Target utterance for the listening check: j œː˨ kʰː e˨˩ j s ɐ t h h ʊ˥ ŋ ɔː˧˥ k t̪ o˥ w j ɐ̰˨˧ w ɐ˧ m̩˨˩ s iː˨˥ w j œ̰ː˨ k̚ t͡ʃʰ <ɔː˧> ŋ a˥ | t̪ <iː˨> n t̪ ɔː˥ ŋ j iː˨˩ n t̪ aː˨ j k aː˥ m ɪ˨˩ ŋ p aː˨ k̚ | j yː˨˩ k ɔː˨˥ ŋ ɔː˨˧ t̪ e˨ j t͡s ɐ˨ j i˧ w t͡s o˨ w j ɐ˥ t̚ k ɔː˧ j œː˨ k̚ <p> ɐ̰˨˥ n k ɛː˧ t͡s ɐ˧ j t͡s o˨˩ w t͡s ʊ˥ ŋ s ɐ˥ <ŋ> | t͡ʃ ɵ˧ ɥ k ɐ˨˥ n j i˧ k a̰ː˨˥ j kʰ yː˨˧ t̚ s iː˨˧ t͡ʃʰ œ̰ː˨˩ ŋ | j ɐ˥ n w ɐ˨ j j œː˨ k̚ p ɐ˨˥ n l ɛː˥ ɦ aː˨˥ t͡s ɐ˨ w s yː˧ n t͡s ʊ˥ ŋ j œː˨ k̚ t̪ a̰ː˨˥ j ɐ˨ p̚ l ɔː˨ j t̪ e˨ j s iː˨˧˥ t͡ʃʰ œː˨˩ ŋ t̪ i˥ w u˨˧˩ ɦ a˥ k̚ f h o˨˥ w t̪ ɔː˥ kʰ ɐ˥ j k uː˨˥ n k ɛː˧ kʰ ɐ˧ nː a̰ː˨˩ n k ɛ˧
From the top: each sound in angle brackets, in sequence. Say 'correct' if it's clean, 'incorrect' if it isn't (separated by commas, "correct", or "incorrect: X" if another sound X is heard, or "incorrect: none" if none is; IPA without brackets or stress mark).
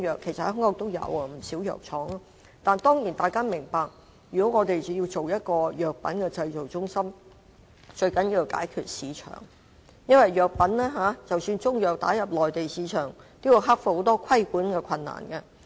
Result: incorrect: ɔː˨˥, incorrect: aː˨, correct, incorrect: m